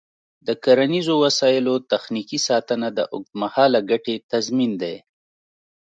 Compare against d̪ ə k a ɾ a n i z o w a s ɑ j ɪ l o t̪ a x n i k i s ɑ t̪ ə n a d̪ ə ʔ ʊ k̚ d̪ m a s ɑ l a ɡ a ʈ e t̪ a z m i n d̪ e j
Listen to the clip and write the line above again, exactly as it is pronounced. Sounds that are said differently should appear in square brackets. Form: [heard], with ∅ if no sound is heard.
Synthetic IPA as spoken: d̪ ə k a ɾ a n i z o w a s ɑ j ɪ l o t̪ a x n i k i s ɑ t̪ ə n a d̪ ə ʔ ʊ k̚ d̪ m a [h] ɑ l a ɡ a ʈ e t̪ a z m i n d̪ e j